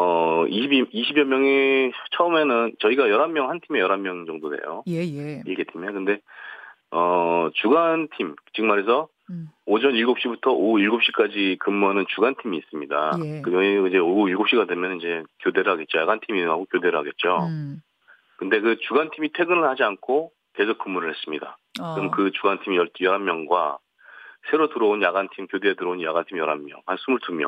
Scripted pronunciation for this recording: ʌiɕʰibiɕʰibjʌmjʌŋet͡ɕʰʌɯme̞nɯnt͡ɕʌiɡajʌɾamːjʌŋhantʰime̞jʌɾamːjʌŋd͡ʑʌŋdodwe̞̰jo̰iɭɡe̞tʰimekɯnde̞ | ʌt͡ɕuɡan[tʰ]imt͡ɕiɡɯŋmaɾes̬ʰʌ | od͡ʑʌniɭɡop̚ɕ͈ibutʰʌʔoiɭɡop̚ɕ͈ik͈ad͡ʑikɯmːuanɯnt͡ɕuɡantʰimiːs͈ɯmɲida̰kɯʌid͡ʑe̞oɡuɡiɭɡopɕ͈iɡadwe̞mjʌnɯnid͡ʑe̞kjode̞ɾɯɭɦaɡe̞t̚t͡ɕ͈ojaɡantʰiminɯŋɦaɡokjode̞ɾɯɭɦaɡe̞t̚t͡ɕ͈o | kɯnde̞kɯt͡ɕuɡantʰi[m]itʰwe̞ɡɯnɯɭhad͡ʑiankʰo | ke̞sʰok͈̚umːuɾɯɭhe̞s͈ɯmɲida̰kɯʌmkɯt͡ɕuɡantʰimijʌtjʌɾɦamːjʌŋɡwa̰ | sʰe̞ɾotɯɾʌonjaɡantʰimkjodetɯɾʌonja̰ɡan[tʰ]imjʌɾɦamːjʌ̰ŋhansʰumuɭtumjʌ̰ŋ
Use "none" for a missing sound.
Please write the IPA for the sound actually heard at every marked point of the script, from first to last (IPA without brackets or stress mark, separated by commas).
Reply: tʰ, m, tʰ